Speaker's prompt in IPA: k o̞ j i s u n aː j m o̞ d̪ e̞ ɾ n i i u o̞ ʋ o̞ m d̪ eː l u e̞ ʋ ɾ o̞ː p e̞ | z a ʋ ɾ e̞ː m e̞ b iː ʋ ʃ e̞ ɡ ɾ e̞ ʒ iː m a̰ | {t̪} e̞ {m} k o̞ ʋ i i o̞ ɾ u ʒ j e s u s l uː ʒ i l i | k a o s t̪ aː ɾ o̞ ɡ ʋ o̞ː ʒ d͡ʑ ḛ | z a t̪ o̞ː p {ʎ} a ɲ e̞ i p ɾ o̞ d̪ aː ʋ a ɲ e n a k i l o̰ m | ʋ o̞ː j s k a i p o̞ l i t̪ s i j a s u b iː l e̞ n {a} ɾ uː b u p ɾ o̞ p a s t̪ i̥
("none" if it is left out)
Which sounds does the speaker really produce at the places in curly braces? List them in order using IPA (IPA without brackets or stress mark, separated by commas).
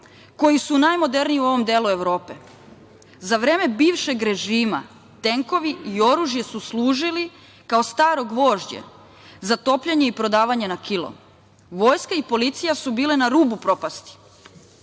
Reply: t̪, ŋ, ʎ, a